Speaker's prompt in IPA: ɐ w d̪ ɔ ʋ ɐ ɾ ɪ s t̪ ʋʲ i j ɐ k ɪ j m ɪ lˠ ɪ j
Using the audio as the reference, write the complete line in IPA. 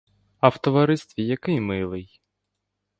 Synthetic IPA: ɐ w t̪ ɔ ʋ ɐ ɾ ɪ s t̪ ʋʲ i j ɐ k ɪ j m ɪ lˠ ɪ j